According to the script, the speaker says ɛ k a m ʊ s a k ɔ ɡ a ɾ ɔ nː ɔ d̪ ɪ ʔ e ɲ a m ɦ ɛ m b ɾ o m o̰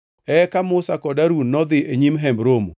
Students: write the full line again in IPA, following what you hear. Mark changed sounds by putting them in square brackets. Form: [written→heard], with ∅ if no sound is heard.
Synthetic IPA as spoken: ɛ k a m ʊ s a k ɔ [ɡ→d] a ɾ [ɔ→u] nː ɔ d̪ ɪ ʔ e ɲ [a→i] m ɦ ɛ m b ɾ o m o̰